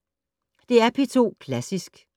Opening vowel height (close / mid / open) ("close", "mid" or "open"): mid